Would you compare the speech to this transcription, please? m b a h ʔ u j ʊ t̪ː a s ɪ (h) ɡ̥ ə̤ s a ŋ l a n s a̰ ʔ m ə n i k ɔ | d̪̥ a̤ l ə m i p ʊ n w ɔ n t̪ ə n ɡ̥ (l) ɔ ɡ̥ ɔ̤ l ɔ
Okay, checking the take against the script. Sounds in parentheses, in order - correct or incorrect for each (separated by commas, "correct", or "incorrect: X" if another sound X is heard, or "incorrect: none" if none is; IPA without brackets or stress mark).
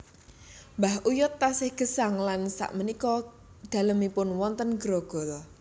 correct, incorrect: ɾ